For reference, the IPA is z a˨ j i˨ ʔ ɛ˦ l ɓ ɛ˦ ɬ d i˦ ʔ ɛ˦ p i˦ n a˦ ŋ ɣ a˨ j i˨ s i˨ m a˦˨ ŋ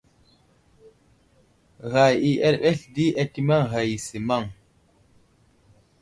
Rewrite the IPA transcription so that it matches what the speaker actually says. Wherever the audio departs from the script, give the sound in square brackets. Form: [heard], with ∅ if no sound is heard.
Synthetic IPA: [ɣ] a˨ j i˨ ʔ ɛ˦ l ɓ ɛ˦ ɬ d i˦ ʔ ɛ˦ [t] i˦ [m] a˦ ŋ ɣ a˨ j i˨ s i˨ m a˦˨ ŋ